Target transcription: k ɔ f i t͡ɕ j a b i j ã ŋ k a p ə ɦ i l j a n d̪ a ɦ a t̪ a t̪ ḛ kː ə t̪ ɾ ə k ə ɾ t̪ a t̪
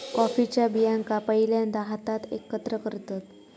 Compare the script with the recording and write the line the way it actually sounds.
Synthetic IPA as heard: k ɔ f i t͡ɕ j a b i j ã ŋ k a p ə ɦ i l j a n d̪ a ɦ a t̪ a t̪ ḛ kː ə t̪ ɾ ə k ə ɾ t̪ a t̪